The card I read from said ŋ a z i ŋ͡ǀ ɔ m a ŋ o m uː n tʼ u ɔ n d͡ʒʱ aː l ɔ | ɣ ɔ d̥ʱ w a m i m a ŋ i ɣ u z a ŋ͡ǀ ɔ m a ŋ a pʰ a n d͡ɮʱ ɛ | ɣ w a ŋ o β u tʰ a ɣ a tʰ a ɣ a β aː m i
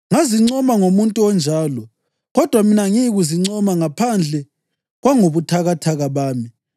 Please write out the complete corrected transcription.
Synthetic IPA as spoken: ŋ a z i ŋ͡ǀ ɔ m a ŋ o m u n tʼ u ɔ n d͡ʒʱ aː l ɔ | ɣ ɔ d̥ʱ w a m i n a ŋ i ɣ u z i ŋ͡ǀ ɔ m a ŋ a pʰ a n d͡ɮʱ ɛ | ɣ w a ŋ o β u tʰ a ɣ a tʰ a ɣ a β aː m i